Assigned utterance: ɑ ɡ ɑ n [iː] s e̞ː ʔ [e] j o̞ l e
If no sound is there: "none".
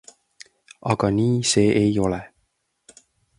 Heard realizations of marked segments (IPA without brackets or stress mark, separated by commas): iː, e